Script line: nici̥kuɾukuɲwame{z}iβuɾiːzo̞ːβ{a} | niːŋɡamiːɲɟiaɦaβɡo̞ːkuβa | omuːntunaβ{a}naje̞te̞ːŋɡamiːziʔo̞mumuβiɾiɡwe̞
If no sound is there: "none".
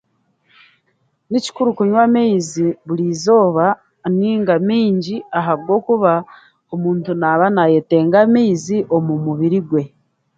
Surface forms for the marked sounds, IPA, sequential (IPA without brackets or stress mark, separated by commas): z, a, a